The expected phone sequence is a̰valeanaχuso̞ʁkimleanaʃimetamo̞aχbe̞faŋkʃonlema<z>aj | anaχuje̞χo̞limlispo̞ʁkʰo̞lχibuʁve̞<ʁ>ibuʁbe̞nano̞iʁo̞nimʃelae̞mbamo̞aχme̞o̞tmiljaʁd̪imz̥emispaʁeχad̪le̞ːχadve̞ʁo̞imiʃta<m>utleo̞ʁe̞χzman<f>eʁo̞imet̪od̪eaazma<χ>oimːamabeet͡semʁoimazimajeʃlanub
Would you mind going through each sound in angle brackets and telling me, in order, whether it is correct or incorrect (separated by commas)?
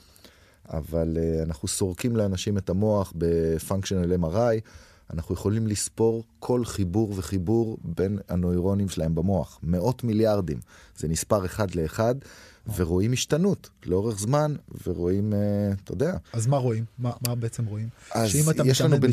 incorrect, incorrect, incorrect, incorrect, incorrect